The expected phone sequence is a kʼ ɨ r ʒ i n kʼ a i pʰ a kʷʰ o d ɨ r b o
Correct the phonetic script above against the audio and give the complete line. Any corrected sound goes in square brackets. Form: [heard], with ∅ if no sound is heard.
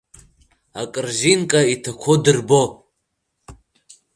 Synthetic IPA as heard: a kʼ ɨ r ʒ i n kʼ a i [tʰ] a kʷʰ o d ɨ r b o